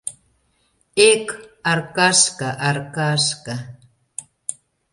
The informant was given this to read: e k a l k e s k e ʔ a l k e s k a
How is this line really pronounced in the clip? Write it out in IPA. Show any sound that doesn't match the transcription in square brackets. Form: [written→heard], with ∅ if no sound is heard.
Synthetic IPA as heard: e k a [l→ɾ] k [e→a] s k [e→a] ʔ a [l→ɾ] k [e→a] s k a